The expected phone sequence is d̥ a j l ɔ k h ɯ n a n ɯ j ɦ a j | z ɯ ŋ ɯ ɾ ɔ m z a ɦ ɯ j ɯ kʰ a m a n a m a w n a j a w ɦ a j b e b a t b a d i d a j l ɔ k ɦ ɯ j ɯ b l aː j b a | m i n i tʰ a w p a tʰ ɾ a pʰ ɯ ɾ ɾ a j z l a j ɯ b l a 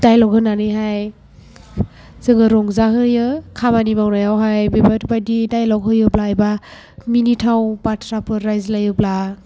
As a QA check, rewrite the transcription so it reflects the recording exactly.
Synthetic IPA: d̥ a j l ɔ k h ɯ n a n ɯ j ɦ a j | z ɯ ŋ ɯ ɾ ɔ ŋ z a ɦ ɯ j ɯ kʰ a m a n i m a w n a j a w ɦ a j b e b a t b a d i d a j l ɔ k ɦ ɯ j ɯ b l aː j b a | m i n i tʰ a w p a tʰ ɾ a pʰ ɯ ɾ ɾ a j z l a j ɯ b l a